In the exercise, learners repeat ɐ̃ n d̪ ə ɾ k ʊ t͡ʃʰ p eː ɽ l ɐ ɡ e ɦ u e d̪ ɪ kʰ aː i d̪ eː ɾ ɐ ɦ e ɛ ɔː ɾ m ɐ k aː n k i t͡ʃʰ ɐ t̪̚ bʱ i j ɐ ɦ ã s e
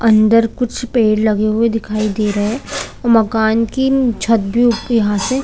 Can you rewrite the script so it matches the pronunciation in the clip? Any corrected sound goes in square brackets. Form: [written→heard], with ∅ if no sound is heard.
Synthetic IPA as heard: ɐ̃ n d̪ ə ɾ k ʊ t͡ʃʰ p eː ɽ l ɐ ɡ e ɦ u e d̪ ɪ kʰ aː i d̪ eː ɾ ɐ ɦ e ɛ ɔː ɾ m ɐ k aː n k i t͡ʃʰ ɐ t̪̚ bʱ i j ɐ ɦ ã s e

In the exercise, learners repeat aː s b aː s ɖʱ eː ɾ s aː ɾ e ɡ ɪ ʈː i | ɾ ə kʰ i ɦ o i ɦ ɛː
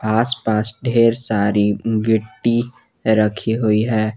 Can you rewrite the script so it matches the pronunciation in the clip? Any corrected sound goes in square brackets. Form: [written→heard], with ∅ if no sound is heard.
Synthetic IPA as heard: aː s [b→p] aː s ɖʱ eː ɾ s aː ɾ [e→i] ɡ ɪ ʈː i | ɾ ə kʰ i ɦ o i ɦ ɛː

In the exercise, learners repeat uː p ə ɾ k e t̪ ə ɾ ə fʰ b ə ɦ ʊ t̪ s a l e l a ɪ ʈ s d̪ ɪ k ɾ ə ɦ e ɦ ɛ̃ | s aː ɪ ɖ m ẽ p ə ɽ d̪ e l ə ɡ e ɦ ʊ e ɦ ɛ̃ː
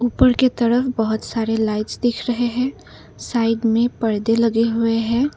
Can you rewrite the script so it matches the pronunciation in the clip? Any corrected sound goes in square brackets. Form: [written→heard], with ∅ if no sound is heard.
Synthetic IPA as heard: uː p ə ɾ k e t̪ ə ɾ ə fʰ b ə ɦ ʊ t̪ s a [l→ɾ] e l a ɪ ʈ s d̪ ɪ [k→kʰ] ɾ ə ɦ e ɦ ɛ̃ | s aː ɪ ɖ m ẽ p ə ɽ d̪ e l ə ɡ e ɦ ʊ e ɦ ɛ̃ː

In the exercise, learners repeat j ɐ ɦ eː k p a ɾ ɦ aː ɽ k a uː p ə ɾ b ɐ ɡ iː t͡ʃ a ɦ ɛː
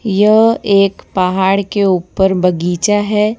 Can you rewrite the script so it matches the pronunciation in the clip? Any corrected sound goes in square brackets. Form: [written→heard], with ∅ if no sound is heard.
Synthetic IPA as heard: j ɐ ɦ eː k p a [ɾ→∅] ɦ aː ɽ k [a→e] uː p ə ɾ b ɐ ɡ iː t͡ʃ a ɦ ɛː

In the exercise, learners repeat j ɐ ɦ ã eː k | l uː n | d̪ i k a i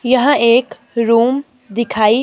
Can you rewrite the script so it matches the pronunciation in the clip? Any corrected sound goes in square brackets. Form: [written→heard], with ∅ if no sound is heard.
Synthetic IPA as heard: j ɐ ɦ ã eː k | [l→ɾ] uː [n→m] | d̪ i [k→kʰ] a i

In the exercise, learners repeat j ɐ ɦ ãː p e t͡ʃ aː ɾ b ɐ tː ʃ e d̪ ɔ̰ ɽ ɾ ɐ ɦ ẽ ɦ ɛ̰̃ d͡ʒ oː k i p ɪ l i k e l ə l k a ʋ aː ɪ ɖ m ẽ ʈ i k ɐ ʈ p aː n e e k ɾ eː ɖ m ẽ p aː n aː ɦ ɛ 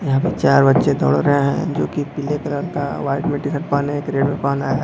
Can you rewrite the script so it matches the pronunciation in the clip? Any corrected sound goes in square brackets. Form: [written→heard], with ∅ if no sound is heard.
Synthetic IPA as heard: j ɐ ɦ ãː p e t͡ʃ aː ɾ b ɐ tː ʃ e d̪ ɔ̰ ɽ ɾ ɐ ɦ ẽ ɦ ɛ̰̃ d͡ʒ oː k i p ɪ l [i→e] k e l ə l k a ʋ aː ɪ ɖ m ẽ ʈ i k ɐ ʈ p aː n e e k ɾ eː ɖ m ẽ p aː n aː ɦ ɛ

